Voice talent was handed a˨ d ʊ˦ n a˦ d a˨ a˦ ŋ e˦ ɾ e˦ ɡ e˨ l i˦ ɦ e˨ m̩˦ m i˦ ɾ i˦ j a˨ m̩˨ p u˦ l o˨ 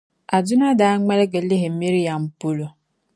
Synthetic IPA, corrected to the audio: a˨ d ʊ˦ n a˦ d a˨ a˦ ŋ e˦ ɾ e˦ ɡ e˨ l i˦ ɦ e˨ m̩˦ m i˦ ɾ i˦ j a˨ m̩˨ p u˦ l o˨